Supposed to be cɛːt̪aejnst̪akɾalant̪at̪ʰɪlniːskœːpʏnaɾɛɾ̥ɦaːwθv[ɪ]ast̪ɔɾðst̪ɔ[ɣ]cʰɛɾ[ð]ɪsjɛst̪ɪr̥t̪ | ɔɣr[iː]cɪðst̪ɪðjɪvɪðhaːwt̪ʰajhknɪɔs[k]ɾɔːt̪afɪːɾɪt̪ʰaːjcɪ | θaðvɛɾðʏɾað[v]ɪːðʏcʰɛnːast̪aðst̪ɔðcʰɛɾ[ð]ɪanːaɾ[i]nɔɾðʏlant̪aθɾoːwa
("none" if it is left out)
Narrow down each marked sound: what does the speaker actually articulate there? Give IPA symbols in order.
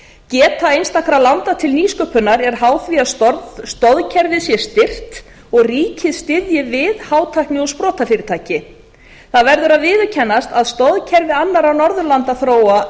i, ð, v, iː, p, v, v, a

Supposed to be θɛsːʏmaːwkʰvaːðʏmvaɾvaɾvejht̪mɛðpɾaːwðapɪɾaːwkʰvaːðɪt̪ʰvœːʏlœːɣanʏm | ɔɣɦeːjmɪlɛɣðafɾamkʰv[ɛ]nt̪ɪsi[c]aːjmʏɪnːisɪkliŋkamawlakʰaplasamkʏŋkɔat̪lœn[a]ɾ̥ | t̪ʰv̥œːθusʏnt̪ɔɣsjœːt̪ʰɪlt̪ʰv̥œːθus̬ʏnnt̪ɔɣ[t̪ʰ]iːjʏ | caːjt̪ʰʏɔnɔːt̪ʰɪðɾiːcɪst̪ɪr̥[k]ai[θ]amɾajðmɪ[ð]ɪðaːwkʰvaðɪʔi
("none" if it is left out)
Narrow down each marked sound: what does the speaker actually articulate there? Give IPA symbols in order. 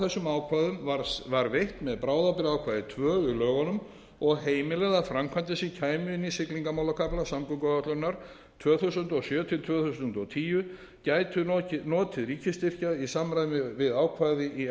a, cʰ, a, t̪ʰ, c, s, v

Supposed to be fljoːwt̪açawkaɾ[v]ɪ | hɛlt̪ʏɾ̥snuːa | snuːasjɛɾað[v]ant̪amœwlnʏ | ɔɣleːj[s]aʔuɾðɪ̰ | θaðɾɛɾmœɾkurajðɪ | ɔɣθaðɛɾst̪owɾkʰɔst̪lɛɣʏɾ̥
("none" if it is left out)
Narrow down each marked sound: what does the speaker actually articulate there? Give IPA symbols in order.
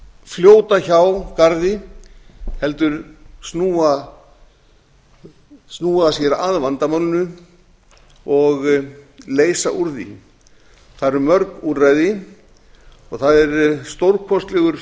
ð, v, s

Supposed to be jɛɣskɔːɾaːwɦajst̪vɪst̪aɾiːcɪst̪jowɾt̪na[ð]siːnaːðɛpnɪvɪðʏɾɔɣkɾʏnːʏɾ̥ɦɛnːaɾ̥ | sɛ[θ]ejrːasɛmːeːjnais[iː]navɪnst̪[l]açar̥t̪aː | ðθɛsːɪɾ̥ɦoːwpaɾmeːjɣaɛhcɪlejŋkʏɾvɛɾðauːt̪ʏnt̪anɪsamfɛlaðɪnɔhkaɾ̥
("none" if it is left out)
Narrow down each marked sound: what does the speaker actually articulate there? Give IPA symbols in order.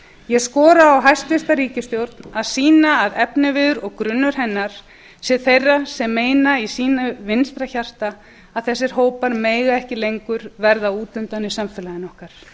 ð, θ, iː, ɾ

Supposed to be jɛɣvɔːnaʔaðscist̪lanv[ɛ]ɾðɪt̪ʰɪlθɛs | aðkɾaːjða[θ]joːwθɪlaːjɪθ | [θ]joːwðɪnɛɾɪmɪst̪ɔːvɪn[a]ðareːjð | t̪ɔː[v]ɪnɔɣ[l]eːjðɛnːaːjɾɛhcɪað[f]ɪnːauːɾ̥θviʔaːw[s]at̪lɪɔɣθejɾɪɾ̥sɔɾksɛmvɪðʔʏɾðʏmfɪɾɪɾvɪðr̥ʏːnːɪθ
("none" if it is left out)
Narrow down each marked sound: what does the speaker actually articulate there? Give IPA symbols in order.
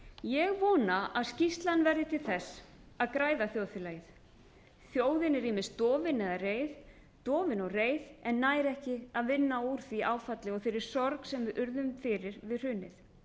ɛ, θ, θ, ɛ, v, r, v, f

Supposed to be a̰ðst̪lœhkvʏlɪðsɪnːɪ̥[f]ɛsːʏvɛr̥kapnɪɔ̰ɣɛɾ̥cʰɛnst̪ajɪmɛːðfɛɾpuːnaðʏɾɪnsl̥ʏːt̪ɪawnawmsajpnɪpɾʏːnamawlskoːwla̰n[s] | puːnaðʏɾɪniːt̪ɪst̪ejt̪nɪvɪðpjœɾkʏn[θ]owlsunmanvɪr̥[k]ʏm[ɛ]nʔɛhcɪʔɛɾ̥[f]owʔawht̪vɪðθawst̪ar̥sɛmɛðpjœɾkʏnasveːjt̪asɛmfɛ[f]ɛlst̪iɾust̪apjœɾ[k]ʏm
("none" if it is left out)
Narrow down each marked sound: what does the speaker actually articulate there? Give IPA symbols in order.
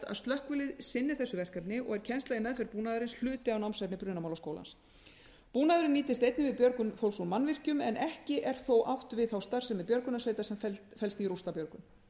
θ, s, f, c, ɛ, θ, f, k

